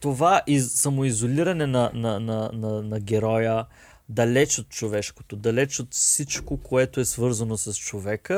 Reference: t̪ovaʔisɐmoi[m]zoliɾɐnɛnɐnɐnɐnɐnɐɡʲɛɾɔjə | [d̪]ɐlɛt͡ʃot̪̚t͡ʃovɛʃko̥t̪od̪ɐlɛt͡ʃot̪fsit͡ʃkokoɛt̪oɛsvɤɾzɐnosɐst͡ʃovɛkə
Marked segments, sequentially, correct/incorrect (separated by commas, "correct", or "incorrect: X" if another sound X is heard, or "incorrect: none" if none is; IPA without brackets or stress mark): incorrect: none, correct